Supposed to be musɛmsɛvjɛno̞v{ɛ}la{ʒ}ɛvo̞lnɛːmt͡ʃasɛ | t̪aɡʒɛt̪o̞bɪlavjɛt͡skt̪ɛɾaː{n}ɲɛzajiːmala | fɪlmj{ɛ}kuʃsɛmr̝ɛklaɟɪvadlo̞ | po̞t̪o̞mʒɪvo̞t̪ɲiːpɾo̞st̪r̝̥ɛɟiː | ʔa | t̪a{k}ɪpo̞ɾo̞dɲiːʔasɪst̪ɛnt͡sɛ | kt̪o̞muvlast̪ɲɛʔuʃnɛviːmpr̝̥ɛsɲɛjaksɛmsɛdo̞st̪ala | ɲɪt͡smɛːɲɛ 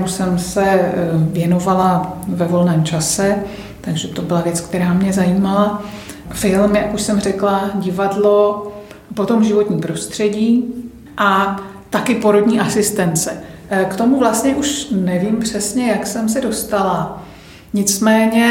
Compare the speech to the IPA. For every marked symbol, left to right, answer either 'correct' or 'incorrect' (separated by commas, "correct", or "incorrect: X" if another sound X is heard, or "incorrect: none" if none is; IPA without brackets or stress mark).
incorrect: a, incorrect: v, incorrect: m, incorrect: a, correct